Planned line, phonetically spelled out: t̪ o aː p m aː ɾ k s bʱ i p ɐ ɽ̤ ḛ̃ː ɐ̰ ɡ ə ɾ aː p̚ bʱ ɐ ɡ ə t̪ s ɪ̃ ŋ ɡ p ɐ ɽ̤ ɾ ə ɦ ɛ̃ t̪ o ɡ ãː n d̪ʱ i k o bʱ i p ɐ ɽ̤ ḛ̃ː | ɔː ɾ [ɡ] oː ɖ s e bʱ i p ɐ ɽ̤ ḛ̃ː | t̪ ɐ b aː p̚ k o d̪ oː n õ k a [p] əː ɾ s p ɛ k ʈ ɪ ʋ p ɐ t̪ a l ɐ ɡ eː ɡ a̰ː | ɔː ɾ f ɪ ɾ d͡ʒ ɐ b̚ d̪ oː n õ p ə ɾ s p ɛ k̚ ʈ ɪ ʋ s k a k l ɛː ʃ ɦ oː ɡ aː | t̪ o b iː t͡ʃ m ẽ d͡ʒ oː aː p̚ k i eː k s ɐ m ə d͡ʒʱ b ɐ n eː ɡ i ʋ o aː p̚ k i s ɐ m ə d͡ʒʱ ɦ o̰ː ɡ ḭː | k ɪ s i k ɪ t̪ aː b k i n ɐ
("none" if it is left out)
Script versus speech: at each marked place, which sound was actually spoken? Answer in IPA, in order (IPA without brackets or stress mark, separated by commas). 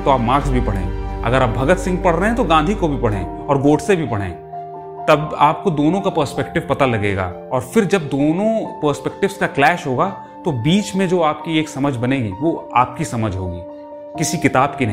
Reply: ɡ, p